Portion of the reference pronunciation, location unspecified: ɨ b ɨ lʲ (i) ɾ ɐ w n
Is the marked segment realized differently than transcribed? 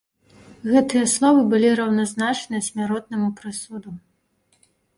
no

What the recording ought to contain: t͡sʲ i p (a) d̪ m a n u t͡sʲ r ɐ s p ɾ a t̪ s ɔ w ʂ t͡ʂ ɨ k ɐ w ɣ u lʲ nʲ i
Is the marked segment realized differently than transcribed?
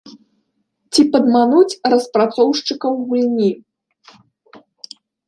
yes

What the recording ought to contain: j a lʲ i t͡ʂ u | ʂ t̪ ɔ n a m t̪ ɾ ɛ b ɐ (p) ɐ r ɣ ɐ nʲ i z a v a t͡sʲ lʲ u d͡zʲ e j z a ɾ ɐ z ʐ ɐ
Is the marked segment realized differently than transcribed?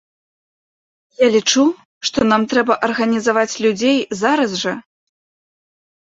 yes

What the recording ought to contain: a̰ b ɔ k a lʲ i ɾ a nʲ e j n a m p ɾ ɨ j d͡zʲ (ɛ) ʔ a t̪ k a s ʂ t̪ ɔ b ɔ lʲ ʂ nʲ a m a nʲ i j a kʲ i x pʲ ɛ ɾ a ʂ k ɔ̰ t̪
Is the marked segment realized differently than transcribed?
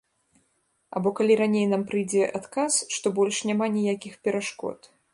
no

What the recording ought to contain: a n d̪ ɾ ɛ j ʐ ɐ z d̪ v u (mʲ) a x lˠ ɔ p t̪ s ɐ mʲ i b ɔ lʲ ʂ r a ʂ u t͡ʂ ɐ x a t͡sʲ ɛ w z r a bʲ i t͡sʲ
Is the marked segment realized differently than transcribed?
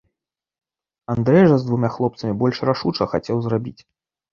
no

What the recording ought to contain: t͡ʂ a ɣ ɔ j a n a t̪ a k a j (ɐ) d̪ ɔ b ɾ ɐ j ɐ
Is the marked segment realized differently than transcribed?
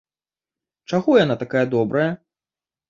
no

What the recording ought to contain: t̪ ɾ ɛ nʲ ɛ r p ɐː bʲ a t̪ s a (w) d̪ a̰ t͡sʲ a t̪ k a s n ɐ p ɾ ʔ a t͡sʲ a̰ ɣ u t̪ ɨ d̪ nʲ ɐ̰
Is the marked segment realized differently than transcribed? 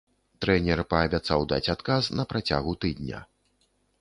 no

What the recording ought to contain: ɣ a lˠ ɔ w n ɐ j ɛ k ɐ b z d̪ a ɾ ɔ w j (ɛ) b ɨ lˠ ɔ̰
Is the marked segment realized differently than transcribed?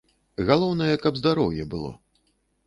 no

